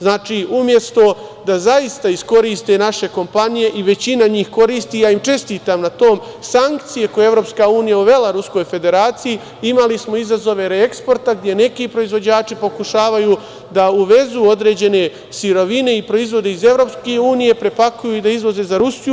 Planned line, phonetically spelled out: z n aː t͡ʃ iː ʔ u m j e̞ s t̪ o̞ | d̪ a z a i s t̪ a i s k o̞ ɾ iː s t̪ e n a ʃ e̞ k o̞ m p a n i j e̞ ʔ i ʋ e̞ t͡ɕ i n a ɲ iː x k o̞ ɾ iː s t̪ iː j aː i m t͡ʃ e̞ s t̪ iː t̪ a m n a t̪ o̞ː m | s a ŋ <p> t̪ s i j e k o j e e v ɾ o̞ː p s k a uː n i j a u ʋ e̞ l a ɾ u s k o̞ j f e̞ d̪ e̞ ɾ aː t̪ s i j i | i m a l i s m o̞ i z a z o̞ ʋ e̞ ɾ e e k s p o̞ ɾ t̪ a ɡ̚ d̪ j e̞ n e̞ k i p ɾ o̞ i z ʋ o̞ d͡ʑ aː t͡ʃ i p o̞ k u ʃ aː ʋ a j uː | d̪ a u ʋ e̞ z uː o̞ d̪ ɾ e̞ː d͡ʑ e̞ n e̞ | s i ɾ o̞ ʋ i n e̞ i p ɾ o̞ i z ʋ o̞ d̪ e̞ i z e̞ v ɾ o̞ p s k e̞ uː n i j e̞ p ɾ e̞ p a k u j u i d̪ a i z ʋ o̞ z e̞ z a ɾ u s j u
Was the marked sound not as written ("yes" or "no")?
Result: yes